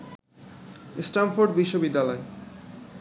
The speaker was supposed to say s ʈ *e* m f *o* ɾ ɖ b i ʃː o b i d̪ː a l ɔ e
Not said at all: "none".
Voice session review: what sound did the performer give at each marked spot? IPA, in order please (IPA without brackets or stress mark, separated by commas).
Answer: a, o